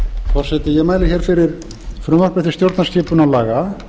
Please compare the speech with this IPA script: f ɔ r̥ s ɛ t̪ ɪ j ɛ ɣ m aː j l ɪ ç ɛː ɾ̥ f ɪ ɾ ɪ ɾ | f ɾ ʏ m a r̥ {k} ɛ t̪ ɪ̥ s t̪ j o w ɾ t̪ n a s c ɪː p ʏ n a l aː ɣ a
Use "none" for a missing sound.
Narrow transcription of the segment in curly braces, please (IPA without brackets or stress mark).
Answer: p